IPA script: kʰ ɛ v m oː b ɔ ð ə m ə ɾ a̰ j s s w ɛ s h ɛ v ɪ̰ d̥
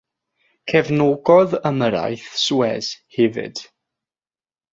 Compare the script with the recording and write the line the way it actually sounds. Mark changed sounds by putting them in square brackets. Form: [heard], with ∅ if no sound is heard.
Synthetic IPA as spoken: kʰ ɛ v [n] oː [ɡ] ɔ ð ə m ə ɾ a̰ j [θ] s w ɛ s h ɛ v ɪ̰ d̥